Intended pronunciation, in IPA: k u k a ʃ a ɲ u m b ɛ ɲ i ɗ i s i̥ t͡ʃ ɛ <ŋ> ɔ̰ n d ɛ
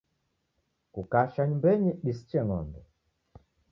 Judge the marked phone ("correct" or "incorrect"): correct